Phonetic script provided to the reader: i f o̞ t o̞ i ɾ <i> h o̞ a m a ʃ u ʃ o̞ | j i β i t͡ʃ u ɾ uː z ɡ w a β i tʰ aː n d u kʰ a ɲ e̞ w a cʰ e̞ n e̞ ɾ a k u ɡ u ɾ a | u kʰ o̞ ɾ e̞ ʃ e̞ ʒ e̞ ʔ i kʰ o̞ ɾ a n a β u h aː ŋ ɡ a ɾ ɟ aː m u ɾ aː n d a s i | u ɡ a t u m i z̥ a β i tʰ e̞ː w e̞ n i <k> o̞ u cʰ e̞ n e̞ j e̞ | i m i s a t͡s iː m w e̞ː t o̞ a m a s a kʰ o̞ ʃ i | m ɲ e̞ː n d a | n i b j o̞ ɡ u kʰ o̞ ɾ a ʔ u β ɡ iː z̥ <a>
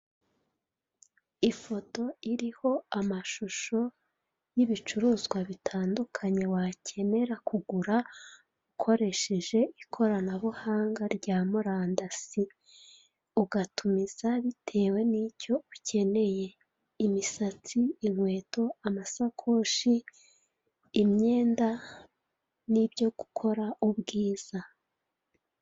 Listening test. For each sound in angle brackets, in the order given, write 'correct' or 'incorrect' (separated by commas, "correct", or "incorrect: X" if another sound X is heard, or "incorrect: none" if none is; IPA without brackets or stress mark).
correct, incorrect: c, correct